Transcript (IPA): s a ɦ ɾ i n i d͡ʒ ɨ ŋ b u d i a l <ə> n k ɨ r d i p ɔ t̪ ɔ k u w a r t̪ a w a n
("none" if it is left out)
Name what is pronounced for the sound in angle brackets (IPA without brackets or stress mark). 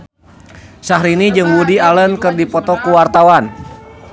ə